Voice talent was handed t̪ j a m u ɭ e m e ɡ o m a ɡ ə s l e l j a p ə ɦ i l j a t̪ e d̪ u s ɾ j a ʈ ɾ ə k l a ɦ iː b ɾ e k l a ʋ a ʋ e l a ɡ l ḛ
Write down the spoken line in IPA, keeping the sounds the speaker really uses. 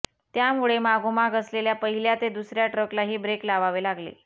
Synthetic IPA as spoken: t̪ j a m u ɭ e m a ɡ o m a ɡ ə s l e l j a p ə ɦ i l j a t̪ e d̪ u s ɾ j a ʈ ɾ ə k l a ɦ iː b ɾ e k l a ʋ a ʋ e l a ɡ l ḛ